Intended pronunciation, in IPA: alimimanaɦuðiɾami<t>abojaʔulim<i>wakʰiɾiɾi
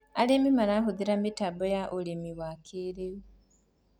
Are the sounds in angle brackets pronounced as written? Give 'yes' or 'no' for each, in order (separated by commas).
yes, yes